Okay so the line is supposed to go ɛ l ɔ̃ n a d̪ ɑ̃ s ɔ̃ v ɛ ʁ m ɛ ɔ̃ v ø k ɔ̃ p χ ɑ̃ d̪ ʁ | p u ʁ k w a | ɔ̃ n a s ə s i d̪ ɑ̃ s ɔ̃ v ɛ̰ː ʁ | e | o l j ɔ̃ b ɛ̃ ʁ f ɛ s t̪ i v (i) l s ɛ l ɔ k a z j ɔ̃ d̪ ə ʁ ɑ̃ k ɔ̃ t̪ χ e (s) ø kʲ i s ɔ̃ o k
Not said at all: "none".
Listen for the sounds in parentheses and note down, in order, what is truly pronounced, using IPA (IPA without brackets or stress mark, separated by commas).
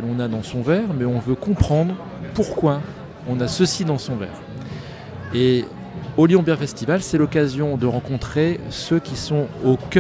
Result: a, s